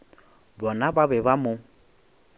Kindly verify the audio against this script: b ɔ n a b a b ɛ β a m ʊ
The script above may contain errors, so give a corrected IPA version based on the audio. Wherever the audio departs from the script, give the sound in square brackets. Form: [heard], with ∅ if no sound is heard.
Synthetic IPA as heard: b ɔ n a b a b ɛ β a m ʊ